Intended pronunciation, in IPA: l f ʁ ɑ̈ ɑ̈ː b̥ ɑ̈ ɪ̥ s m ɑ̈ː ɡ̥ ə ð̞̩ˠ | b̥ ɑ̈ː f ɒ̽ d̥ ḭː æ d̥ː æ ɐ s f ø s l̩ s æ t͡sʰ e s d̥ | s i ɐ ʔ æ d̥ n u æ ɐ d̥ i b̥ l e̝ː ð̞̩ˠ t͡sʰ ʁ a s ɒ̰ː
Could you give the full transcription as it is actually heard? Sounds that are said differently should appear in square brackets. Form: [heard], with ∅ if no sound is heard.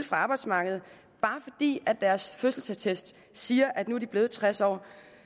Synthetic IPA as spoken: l f ʁ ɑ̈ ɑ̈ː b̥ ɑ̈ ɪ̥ s m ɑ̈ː ɡ̥ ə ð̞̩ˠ | b̥ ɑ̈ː f ɒ̽ d̥ ḭː æ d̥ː æ ɐ s f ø s l̩ s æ t͡sʰ e s d̥ | s [iː] ɐ ʔ æ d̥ n u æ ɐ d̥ i b̥ l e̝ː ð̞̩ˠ t͡sʰ ʁ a s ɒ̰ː